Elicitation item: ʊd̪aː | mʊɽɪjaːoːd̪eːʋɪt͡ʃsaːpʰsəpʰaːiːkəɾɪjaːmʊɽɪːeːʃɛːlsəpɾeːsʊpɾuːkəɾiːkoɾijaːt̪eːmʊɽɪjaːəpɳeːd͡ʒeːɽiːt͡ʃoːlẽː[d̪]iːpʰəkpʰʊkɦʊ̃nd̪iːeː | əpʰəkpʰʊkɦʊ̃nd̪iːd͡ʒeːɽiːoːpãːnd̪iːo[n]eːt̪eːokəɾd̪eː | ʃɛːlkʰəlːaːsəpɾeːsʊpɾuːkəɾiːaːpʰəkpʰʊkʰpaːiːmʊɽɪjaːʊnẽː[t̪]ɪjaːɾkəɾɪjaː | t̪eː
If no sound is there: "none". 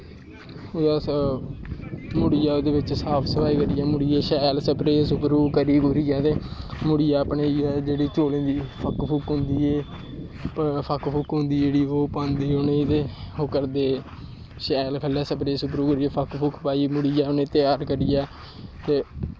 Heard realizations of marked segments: d̪, n, t̪

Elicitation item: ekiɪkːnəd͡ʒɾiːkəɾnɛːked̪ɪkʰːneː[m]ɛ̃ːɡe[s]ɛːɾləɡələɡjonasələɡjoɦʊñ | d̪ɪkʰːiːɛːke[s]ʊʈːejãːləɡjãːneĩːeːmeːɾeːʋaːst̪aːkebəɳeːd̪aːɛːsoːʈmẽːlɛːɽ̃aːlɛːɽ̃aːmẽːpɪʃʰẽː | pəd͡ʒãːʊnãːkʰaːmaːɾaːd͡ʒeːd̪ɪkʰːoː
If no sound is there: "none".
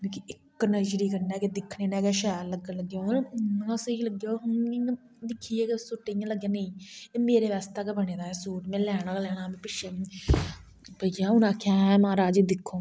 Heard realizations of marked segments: n, ʃ, s

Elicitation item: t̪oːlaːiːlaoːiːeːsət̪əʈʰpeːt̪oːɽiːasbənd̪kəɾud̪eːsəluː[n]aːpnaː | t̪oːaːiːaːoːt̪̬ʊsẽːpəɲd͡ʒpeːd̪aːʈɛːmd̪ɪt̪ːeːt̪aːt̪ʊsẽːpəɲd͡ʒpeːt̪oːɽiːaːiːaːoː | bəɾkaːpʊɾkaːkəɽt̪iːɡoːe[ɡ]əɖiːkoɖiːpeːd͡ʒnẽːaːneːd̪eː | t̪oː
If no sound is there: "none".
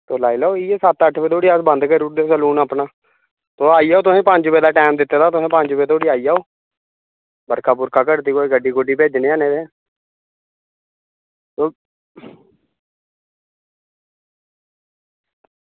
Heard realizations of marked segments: n, ɡ

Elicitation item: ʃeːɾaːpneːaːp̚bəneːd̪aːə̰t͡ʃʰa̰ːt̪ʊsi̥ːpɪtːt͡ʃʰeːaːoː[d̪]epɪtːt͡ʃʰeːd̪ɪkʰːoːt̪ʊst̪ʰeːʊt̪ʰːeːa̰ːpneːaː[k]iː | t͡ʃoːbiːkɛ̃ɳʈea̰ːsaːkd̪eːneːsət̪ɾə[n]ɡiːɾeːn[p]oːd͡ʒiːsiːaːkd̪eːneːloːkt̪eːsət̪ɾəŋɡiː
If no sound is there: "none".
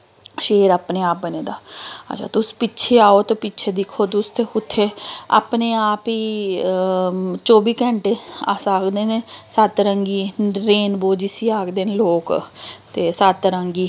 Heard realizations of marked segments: t̪, p, ŋ, b

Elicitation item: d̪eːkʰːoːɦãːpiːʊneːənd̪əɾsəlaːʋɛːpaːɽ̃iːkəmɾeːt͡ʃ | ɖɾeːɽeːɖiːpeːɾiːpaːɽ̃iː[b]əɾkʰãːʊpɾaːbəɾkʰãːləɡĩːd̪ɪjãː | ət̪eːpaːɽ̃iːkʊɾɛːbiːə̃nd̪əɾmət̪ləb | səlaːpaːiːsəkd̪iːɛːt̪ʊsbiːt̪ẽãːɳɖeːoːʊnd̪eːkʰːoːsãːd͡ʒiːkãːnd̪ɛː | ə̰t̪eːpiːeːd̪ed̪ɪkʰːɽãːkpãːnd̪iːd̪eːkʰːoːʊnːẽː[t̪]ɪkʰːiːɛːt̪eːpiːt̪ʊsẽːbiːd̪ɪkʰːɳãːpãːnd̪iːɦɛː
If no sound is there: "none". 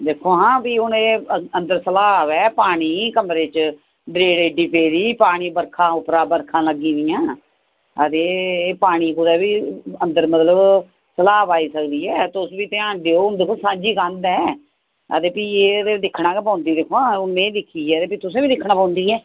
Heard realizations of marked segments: b, d̪

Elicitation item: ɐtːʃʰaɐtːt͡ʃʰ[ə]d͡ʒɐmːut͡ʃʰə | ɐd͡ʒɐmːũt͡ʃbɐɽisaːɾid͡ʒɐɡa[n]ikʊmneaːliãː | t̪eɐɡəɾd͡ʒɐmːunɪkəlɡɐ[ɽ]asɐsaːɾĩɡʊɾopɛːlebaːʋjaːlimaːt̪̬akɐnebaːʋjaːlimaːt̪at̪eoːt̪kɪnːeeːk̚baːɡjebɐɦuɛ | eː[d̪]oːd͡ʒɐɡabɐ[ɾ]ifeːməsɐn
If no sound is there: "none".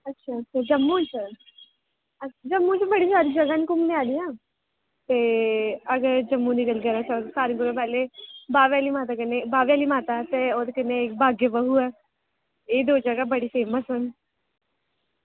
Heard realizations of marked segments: a, n, ɾ, d̪, ɽ

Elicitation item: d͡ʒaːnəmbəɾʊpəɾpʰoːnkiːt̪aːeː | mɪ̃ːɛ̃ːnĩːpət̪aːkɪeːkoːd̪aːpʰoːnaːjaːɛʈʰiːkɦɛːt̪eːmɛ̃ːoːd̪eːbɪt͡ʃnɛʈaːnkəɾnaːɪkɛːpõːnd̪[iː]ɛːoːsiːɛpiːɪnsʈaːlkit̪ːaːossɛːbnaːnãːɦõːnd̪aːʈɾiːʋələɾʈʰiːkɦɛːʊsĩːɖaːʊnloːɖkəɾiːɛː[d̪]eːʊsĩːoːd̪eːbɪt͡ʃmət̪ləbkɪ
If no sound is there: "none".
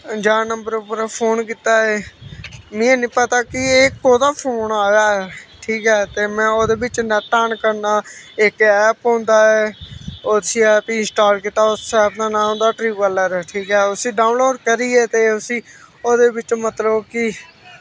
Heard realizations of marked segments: aː, t̪

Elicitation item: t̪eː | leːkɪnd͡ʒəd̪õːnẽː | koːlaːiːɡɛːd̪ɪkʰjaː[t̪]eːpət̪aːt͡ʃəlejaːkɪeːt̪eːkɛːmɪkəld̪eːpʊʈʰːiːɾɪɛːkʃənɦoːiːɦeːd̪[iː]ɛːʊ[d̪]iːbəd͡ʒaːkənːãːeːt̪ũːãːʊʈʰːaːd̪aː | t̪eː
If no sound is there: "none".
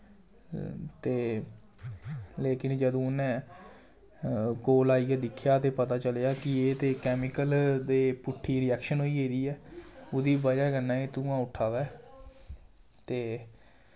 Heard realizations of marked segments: t̪, iː, d̪

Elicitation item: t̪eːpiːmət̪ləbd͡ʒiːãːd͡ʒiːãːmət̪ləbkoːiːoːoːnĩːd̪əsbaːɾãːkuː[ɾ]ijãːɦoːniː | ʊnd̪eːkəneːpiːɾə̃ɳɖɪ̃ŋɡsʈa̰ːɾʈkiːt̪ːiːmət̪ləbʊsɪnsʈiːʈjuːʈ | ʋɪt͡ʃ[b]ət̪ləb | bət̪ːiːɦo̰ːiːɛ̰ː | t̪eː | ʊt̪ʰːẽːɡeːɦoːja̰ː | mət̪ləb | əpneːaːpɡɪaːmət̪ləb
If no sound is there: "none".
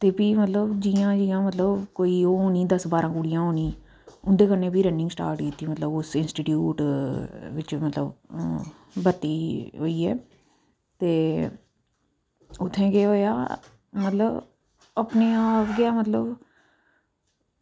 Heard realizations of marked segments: ɽ, m

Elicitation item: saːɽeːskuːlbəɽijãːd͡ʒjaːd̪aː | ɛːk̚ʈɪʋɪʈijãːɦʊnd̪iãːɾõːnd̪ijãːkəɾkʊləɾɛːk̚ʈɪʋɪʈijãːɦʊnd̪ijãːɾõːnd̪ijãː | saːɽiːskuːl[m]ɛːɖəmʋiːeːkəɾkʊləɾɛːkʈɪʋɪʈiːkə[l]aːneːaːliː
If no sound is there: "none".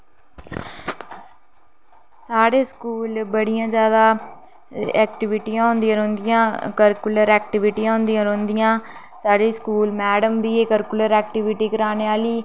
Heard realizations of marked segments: m, ɾ

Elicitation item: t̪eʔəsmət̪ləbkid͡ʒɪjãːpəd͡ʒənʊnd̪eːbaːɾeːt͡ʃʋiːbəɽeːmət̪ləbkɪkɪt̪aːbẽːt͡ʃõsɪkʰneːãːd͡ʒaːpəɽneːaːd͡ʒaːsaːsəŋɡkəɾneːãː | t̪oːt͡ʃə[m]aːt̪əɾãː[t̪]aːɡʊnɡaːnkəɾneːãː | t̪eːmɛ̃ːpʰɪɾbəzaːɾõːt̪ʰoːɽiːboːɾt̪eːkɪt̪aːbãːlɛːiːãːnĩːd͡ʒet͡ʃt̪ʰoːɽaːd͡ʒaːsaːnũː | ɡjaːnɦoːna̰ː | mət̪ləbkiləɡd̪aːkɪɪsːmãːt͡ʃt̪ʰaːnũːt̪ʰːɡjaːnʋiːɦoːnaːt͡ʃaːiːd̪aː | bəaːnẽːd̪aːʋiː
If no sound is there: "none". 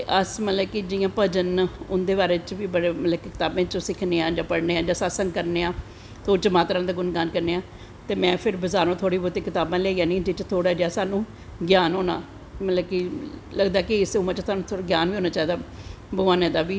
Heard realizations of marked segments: m, d̪

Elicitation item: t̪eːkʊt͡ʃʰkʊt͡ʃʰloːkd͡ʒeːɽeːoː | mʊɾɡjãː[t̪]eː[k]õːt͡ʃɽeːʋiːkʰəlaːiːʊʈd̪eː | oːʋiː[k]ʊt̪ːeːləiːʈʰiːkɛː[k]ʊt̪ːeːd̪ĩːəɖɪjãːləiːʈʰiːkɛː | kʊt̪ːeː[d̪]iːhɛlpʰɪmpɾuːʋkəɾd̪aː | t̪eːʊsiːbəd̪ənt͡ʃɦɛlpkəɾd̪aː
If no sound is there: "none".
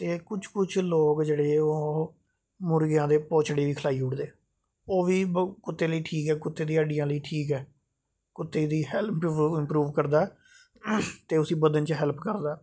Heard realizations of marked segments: d̪, p, k, k, d̪

